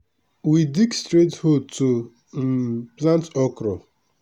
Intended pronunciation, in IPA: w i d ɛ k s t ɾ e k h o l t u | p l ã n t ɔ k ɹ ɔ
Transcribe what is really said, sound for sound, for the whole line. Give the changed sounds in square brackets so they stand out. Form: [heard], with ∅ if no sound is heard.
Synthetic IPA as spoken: w i d [i] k s t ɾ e [t] h o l t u | p l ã n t ɔ k [ɾ] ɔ